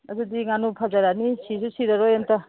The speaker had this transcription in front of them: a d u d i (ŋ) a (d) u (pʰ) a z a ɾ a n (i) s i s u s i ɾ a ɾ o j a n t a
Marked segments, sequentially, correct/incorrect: correct, incorrect, correct, correct

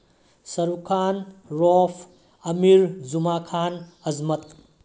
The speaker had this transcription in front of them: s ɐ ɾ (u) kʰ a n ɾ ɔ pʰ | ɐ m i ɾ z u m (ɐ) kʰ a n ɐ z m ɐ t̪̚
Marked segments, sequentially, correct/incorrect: correct, incorrect

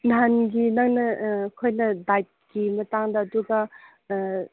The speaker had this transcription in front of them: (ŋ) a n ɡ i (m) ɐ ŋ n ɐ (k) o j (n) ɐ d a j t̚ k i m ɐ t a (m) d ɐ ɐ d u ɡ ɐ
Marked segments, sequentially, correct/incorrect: incorrect, incorrect, incorrect, correct, incorrect

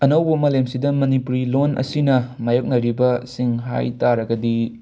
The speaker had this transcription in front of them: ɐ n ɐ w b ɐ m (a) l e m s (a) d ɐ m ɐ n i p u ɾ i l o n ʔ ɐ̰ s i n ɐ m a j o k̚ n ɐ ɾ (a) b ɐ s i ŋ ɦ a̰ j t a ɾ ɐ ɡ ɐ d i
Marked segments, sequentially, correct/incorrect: incorrect, incorrect, incorrect

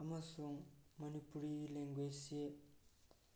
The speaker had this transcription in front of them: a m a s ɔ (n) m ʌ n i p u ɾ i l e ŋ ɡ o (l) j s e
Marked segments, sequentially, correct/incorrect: incorrect, incorrect

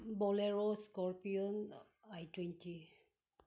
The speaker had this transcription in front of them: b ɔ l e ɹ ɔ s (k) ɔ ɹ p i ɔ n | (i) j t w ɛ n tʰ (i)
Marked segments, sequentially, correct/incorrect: correct, incorrect, correct

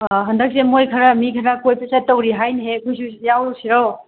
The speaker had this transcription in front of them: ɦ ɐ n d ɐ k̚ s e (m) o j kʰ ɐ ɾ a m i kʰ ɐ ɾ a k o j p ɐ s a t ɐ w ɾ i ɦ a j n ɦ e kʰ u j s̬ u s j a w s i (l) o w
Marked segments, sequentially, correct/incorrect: correct, incorrect

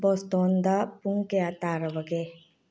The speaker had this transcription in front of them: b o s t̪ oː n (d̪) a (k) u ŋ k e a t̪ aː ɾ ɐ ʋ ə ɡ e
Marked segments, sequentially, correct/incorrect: correct, incorrect

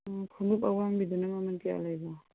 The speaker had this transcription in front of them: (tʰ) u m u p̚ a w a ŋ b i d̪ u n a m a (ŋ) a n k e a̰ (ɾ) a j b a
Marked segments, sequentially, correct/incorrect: incorrect, incorrect, incorrect

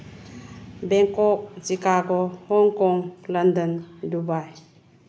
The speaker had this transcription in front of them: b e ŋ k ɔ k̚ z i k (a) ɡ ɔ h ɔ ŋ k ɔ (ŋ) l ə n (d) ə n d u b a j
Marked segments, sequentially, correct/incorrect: correct, correct, correct

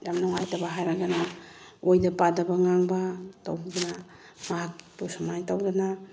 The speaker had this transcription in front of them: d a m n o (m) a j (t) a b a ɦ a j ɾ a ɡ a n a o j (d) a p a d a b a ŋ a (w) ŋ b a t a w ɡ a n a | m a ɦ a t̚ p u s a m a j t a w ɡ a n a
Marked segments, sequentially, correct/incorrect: incorrect, correct, correct, incorrect

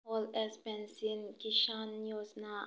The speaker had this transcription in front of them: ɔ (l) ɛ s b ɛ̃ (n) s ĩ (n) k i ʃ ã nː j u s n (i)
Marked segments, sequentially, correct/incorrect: correct, correct, correct, incorrect

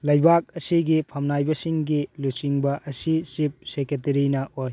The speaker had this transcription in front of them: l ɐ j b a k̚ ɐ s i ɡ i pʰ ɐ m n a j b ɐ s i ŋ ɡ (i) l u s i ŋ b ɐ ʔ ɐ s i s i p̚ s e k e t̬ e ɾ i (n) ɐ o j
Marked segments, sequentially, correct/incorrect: correct, correct

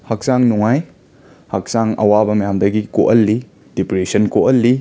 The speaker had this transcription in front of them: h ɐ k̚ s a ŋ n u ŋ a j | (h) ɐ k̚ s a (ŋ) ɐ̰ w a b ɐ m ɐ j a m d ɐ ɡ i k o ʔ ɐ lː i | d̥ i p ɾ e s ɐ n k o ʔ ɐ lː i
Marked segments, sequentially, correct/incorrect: correct, correct

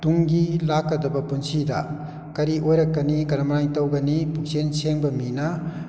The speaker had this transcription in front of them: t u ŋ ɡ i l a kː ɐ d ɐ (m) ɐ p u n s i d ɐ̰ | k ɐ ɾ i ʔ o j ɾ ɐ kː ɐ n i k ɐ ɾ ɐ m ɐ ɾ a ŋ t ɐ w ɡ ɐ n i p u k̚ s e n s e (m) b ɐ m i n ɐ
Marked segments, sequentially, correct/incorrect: incorrect, incorrect

